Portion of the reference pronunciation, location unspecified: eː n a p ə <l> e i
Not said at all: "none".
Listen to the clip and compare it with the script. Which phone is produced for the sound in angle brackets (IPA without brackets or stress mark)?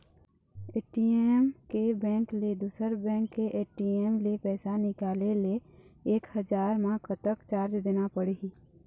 ɽ